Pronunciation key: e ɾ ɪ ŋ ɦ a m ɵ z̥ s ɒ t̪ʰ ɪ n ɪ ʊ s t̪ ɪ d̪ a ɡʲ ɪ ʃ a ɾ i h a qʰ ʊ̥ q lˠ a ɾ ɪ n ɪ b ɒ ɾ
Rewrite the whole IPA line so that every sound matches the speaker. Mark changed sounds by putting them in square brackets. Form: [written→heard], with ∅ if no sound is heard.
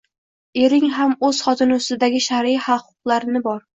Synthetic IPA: e ɾ ɪ ŋ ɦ a m ɵ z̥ [s→χ] ɒ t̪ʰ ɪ n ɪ ʊ s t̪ ɪ d̪ a ɡʲ ɪ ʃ a ɾ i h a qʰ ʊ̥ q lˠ a ɾ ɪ n ɪ b ɒ ɾ

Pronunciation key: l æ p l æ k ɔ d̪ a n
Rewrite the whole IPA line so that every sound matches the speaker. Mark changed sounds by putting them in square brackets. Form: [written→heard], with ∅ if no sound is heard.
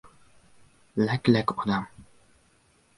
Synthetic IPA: l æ [p→k] l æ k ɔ d̪ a [n→m]

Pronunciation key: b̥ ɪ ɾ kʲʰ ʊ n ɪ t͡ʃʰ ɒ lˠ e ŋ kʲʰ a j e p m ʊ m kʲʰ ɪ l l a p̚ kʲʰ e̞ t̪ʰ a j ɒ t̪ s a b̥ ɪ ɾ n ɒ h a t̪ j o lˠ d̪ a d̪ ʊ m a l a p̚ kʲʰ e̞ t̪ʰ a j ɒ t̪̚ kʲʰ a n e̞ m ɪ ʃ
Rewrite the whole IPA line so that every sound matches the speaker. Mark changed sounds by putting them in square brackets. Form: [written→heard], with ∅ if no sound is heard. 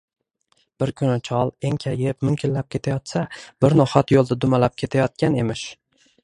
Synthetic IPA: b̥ ɪ ɾ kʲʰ ʊ n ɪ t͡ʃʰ ɒ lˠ e ŋ kʲʰ a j e p m ʊ m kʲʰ ɪ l l a p̚ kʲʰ e̞ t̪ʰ a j ɒ t̪ s a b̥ ɪ ɾ n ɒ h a t̪ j o lˠ d̪ a d̪ ʊ m a l a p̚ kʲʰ e̞ t̪ʰ a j ɒ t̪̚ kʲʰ a n e̞ m ɪ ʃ

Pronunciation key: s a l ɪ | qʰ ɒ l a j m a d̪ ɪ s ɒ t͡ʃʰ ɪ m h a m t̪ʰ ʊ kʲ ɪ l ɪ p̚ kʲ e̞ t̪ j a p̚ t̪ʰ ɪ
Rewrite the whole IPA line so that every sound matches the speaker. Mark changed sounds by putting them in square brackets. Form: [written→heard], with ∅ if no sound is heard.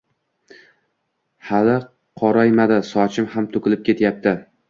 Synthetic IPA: [s→h] a l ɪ | qʰ ɒ [l→ɾ] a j m a d̪ ɪ s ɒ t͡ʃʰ ɪ m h a m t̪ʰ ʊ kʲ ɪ l ɪ p̚ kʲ e̞ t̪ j a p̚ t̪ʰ ɪ

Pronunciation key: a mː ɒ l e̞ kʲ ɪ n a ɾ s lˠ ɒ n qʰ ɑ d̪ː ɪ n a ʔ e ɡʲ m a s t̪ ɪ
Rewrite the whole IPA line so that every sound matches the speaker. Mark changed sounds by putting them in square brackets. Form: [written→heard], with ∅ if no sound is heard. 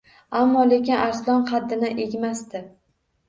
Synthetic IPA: a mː ɒ l e̞ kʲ ɪ n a ɾ s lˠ ɒ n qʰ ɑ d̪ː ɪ n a ʔ e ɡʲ m a s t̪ ɪ

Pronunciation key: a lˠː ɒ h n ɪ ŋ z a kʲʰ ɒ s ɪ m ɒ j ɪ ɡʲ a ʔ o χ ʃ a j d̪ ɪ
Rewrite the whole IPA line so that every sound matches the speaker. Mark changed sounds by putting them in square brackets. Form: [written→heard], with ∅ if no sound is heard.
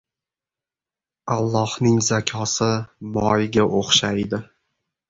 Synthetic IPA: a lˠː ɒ h n ɪ ŋ z a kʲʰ ɒ s ɪ m ɒ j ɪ ɡʲ a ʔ o χ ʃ a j d̪ ɪ

